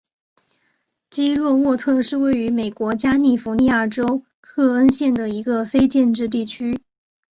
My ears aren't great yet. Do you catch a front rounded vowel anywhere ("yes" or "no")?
yes